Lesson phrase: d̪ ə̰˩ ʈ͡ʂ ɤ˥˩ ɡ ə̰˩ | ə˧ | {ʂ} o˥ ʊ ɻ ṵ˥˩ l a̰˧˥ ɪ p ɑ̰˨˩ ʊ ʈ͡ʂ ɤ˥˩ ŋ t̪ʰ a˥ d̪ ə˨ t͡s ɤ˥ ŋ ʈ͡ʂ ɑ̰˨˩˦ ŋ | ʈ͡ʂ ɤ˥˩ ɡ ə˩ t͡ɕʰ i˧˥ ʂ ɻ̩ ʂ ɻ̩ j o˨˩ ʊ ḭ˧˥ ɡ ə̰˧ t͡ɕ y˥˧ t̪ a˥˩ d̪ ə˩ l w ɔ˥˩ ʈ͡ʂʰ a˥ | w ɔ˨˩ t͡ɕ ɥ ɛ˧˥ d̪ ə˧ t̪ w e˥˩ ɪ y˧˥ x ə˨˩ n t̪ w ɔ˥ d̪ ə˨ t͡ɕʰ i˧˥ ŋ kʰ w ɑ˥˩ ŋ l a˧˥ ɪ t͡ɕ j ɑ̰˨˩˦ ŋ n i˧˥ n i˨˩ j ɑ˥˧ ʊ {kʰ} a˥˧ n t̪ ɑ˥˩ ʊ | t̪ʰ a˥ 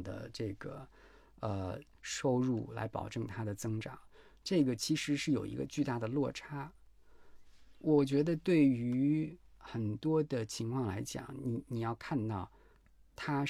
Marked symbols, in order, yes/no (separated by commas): yes, yes